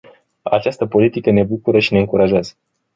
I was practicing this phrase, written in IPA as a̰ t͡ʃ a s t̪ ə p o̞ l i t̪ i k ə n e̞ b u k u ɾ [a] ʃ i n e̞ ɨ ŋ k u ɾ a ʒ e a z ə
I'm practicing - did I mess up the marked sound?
yes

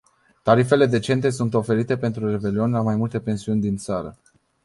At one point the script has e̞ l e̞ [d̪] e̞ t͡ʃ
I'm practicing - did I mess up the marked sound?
no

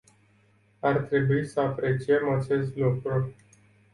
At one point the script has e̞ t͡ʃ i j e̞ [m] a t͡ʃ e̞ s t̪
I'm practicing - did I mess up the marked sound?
no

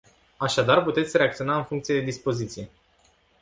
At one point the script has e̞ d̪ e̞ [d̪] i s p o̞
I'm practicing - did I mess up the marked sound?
no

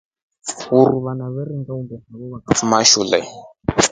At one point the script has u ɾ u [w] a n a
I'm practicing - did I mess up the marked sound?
yes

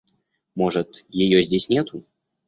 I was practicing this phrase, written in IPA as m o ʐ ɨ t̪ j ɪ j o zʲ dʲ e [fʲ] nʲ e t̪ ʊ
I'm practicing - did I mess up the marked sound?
yes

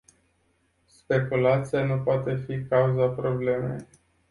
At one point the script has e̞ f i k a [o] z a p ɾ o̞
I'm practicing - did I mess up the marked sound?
yes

